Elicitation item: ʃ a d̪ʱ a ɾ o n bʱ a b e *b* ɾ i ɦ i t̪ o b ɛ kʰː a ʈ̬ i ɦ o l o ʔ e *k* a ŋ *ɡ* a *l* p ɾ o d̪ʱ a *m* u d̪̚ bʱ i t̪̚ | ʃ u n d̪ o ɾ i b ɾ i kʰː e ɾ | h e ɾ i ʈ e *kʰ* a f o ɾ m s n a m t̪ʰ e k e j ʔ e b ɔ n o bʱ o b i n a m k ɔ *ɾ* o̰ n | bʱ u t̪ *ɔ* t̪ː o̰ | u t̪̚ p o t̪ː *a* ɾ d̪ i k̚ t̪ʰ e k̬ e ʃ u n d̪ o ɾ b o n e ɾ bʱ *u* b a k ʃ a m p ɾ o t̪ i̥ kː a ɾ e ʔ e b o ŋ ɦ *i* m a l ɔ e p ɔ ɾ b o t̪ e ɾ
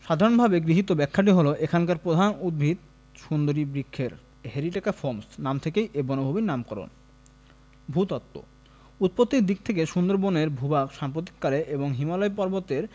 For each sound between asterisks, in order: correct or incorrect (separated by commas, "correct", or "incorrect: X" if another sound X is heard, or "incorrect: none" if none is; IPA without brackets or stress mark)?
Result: incorrect: ɡ, incorrect: kʰ, incorrect: k, incorrect: ɾ, incorrect: n, incorrect: k, correct, correct, incorrect: i, correct, correct